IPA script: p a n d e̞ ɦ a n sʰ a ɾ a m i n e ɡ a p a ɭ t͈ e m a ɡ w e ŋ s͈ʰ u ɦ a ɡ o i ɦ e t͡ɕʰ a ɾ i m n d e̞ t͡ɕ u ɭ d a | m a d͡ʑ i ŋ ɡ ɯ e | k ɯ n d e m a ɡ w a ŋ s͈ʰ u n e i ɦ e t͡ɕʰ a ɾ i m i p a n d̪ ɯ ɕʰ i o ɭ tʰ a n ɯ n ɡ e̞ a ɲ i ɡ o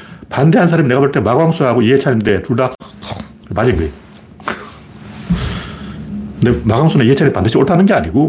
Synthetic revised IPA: p a n d e̞ ɦ a n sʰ a ɾ a m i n e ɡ a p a ɭ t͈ e m a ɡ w a ŋ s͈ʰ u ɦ a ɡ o i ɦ e t͡ɕʰ a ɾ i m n d e̞ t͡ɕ u ɭ d a | m a d͡ʑ i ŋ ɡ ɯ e | k ɯ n d e m a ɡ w a ŋ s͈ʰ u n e i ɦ e t͡ɕʰ a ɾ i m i p a n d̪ ɯ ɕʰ i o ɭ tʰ a n ɯ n ɡ e̞ a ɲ i ɡ o